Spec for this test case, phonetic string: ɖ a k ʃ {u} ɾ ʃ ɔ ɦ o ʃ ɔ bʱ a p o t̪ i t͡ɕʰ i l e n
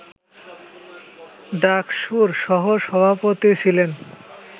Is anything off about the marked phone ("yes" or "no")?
no